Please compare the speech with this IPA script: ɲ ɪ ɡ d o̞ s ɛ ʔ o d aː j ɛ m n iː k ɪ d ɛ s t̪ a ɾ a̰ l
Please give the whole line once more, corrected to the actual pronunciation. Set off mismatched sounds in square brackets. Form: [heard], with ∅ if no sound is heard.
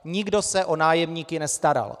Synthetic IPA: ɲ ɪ ɡ d o̞ s ɛ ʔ o [n] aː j ɛ m [ɲ] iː k ɪ [n] ɛ s t̪ a ɾ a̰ l